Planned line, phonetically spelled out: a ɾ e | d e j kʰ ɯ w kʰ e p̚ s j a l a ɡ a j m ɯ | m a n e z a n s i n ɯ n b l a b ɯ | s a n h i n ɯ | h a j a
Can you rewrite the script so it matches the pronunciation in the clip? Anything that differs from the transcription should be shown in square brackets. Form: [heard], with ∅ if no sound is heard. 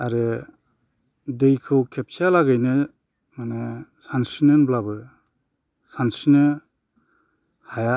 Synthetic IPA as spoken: a ɾ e | d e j kʰ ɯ w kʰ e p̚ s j a l a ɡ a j [n] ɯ | m a n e [s] a n s i n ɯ n b l a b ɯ | s a n [s] i n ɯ | h a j a